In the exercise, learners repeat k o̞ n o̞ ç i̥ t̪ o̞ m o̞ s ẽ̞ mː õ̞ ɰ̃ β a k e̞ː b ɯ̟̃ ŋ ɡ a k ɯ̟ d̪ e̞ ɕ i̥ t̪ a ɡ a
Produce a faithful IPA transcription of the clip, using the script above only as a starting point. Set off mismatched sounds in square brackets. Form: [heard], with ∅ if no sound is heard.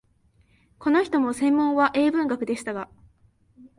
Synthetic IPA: k o̞ n o̞ ç i̥ t̪ o̞ m o̞ s ẽ̞ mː õ̞ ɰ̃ β a [ʔ] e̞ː b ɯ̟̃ ŋ ɡ a k ɯ̟ d̪ e̞ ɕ i̥ t̪ a ɡ a